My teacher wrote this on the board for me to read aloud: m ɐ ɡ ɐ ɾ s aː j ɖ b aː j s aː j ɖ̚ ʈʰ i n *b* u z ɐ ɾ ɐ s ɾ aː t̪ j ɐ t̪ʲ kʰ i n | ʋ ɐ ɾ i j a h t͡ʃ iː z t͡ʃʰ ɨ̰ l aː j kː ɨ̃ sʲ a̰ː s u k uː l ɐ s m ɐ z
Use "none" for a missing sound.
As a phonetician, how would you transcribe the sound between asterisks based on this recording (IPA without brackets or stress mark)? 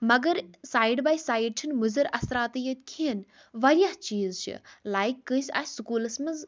m